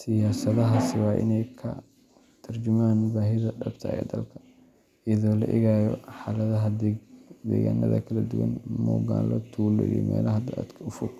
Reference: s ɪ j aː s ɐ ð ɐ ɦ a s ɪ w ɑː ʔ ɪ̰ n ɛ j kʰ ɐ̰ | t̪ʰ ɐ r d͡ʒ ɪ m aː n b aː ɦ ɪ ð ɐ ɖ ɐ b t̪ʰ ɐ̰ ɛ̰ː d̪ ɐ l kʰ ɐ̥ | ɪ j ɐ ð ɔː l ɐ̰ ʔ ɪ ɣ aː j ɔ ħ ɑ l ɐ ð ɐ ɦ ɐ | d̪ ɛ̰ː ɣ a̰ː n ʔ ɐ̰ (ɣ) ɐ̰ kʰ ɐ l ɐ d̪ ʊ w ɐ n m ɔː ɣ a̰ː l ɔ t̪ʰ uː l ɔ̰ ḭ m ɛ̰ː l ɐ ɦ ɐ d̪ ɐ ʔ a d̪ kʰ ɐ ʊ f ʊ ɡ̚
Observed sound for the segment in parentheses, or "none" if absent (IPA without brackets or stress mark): ð